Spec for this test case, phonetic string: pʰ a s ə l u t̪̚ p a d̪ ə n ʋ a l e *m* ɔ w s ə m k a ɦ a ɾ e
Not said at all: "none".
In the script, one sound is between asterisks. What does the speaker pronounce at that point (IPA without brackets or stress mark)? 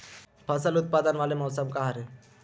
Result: m